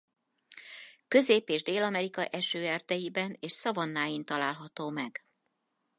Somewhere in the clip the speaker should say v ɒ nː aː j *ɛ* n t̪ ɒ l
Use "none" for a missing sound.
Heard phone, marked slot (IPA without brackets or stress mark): i